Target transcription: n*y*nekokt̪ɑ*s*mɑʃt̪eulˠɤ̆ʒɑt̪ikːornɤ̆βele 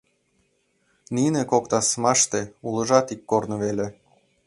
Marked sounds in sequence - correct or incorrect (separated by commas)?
incorrect, correct